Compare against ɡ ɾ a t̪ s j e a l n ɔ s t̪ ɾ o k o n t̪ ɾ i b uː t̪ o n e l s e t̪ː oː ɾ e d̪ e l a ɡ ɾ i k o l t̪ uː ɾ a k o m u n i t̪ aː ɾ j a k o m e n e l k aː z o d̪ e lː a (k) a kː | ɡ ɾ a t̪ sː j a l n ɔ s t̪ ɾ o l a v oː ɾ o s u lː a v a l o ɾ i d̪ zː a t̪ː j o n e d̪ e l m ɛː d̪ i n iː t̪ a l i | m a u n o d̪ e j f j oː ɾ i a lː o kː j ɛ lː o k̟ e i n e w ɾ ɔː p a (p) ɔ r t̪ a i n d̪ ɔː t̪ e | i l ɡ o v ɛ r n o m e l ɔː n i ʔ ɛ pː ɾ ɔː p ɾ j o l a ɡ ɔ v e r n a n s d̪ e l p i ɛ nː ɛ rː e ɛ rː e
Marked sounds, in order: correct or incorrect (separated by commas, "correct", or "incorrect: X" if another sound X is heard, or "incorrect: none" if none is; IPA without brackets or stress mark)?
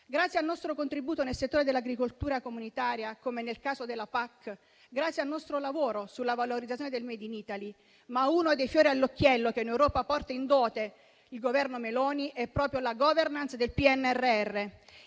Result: incorrect: p, correct